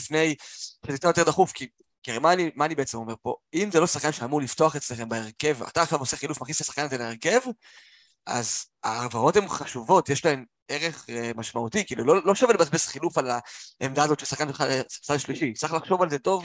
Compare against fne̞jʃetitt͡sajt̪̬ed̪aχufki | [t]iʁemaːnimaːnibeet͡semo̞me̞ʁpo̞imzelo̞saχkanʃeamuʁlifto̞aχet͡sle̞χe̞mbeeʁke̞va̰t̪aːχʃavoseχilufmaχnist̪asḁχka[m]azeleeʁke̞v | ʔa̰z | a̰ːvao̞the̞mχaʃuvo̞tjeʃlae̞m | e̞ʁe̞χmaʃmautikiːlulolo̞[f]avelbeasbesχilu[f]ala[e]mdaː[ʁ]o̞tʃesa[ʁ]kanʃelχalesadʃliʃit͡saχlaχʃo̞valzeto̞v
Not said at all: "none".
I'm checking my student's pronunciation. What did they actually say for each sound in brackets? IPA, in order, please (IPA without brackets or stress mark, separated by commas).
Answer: k, n, ʃ, f, e, z, χ